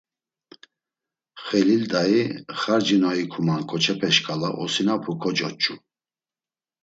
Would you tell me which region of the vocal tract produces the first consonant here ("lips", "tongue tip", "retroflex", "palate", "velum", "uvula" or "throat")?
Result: uvula